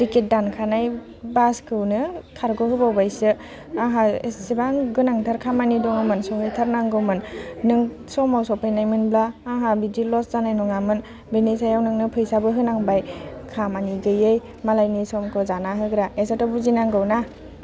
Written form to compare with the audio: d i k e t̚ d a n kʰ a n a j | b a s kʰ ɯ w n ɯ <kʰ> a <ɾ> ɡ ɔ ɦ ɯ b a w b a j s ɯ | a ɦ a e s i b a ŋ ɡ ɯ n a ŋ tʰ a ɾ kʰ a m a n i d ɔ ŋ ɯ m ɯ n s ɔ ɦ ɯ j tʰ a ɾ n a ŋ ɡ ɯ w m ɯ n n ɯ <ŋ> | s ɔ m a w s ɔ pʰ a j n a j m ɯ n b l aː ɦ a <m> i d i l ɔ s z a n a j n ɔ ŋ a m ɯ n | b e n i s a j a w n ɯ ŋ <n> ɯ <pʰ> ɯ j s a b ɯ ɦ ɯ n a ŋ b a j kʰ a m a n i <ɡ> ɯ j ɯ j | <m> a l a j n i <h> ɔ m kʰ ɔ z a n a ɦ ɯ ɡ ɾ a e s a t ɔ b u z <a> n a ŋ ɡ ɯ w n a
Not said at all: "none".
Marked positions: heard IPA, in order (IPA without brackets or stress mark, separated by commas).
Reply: kʰ, ɾ, ŋ, b, n, pʰ, ɡ, m, s, i